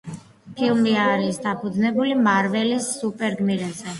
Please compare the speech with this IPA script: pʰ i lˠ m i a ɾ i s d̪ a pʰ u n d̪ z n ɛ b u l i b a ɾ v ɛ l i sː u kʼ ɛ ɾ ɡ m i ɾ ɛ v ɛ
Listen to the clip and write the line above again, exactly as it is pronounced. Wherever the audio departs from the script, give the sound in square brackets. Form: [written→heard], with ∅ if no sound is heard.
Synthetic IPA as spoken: pʰ i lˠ m i a ɾ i s d̪ a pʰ u [n→∅] d̪ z n ɛ b u l i [b→m] a ɾ v ɛ l i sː u [kʼ→pʼ] ɛ ɾ ɡ m i ɾ ɛ [v→z] ɛ

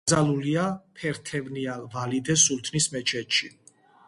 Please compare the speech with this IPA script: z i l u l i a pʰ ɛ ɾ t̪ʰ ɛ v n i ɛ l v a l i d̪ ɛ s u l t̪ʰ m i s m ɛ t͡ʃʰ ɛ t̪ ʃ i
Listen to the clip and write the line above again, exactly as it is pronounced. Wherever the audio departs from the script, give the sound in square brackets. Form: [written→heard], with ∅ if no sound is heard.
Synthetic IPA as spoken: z [i→a] l u l i a pʰ ɛ ɾ t̪ʰ ɛ v n i [ɛ→a] l v a l i d̪ ɛ s u l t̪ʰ [m→n] i s m ɛ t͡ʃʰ ɛ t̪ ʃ i

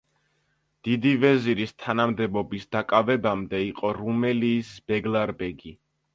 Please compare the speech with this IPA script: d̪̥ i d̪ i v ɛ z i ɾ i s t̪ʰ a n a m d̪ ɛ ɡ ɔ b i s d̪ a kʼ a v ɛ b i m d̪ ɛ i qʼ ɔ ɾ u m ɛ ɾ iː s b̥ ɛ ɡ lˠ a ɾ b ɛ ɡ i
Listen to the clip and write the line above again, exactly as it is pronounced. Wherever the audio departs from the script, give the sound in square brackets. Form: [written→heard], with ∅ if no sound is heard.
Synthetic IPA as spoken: d̪̥ i d̪ i v ɛ z i ɾ i s t̪ʰ a n a m d̪ ɛ [ɡ→b] ɔ b i s d̪ a kʼ a v ɛ b [i→a] m d̪ ɛ i qʼ ɔ ɾ u m ɛ [ɾ→l] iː s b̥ ɛ ɡ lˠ a ɾ b ɛ ɡ i

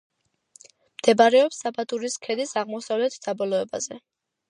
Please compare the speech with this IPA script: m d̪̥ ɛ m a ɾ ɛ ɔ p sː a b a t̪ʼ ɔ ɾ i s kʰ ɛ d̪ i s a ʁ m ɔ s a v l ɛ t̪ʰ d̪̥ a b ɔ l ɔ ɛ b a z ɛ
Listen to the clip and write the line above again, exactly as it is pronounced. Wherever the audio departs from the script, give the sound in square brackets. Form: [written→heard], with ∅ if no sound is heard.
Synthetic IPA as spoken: m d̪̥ ɛ [m→b] a ɾ ɛ ɔ p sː a b a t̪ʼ [ɔ→u] ɾ i s kʰ ɛ d̪ i s a ʁ m ɔ s a v l ɛ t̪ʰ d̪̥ a b ɔ l ɔ ɛ b a z ɛ

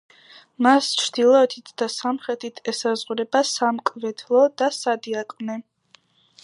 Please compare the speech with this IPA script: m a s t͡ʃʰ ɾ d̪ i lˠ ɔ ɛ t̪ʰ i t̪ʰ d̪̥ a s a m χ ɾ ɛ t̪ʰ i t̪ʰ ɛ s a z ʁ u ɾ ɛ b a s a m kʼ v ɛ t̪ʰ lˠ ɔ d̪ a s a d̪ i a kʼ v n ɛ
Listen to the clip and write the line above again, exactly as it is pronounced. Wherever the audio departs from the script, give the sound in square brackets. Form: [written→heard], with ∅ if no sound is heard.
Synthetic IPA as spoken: m a s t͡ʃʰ ɾ d̪ i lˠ ɔ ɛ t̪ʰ i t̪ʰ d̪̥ a s a m χ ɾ ɛ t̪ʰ i t̪ʰ ɛ s a z ʁ u ɾ ɛ b a s a m kʼ v ɛ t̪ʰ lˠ ɔ d̪ a s a d̪ i a kʼ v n ɛ

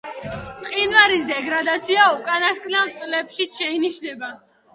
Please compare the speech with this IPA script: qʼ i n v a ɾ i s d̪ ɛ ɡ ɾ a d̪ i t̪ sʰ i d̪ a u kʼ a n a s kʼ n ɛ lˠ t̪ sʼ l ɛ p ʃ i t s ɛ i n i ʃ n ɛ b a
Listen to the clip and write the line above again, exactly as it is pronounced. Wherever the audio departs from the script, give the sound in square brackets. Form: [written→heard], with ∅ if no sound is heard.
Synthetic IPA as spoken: qʼ i n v a ɾ i s d̪ ɛ ɡ ɾ a d̪ [i→a] t̪ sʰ i [d̪→∅] a u kʼ a n a s kʼ n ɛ lˠ t̪ sʼ l ɛ p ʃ i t [s→ʃ] ɛ i n i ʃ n ɛ b a

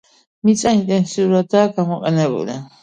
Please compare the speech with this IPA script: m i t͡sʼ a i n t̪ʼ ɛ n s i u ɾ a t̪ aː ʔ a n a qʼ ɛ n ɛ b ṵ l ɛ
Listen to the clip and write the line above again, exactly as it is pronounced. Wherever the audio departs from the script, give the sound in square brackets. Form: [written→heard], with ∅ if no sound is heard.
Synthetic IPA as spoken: m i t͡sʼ a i n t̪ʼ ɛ n s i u ɾ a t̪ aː [ʔ→k] a [n→m] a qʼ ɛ n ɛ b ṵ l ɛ

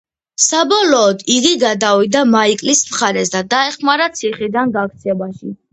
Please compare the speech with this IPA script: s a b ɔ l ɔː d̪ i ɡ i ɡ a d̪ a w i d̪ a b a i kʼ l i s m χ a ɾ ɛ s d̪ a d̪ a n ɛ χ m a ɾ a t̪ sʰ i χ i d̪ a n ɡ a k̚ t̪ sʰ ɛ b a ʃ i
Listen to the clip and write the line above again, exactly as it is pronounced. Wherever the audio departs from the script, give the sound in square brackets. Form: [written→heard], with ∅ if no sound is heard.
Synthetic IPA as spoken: s a b ɔ l ɔː d̪ i ɡ i ɡ a d̪ a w i d̪ a [b→m] a i kʼ l i s m χ a ɾ ɛ s d̪ a d̪ a [n→∅] ɛ χ m a ɾ a t̪ sʰ i χ i d̪ a n ɡ a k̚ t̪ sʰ ɛ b a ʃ i

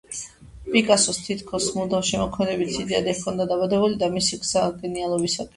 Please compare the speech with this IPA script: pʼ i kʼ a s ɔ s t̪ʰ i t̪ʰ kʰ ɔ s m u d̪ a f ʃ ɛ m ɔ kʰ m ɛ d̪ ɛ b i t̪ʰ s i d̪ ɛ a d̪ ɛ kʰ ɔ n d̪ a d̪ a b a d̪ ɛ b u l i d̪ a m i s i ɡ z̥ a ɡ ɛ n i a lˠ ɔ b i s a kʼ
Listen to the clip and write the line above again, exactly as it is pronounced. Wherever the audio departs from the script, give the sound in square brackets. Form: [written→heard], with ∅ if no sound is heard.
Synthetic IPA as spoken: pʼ i kʼ a s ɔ s t̪ʰ i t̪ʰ kʰ ɔ s m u d̪ a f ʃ ɛ m ɔ kʰ m ɛ d̪ ɛ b i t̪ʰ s i d̪ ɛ a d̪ ɛ kʰ ɔ n d̪ a d̪ a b a d̪ ɛ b u l i d̪ a m i s i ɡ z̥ a ɡ ɛ n i a lˠ ɔ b i s a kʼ

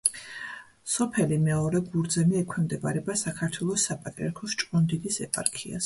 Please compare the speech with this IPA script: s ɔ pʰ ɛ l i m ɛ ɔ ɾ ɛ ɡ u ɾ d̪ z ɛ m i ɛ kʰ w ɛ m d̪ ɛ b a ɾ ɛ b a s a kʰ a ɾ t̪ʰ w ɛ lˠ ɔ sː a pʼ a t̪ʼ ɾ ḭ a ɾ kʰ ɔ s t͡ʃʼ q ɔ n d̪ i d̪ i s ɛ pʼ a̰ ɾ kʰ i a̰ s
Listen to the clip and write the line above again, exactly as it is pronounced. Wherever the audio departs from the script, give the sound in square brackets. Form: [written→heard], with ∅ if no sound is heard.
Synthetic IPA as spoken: s ɔ pʰ ɛ l i m ɛ ɔ ɾ ɛ ɡ u ɾ d̪ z ɛ m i ɛ kʰ w ɛ m d̪ ɛ b a ɾ ɛ b a s a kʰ a ɾ t̪ʰ w ɛ lˠ ɔ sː a pʼ a t̪ʼ ɾ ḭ a ɾ kʰ ɔ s t͡ʃʼ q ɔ n d̪ i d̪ i s ɛ pʼ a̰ ɾ kʰ i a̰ s

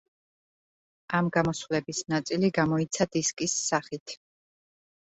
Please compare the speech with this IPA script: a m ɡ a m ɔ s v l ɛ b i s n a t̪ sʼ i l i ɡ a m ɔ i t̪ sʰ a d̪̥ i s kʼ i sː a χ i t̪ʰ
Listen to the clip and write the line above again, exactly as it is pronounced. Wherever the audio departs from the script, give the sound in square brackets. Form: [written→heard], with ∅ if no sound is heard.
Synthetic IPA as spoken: a m ɡ a m ɔ s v l ɛ b i s n a t̪ sʼ i l i ɡ a m ɔ i t̪ sʰ a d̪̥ i s kʼ i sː a χ i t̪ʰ

